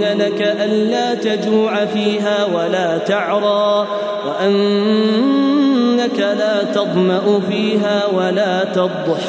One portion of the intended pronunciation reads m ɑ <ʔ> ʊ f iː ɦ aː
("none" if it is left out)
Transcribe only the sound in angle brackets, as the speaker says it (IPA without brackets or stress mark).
ʔ